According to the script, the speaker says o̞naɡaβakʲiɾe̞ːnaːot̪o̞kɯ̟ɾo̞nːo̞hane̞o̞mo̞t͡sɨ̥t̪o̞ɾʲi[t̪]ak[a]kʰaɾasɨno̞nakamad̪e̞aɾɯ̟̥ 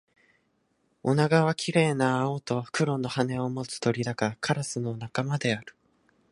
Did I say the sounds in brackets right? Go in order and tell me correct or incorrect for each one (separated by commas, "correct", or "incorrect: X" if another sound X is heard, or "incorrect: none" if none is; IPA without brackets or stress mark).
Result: incorrect: d̪, correct